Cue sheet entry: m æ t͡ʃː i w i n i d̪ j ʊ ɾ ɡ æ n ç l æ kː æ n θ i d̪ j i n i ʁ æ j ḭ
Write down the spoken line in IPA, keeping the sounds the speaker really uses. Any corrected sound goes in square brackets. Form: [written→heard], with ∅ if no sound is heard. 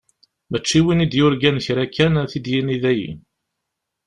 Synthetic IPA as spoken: m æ t͡ʃː i w i n i d̪ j ʊ ɾ ɡ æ n ç [l→ɾ] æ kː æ n θ i d̪ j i n i [ʁ→ð] æ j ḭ